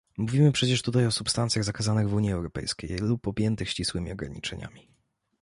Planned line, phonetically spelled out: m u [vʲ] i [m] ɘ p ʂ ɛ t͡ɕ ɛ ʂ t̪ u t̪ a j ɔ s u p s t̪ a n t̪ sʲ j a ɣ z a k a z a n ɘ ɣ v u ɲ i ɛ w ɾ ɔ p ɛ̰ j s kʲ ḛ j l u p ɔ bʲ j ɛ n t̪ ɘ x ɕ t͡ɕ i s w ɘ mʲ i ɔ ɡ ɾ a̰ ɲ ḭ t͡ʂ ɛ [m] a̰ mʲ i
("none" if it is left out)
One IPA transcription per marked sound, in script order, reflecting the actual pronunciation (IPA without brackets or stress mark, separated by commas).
vʲ, m, ɲ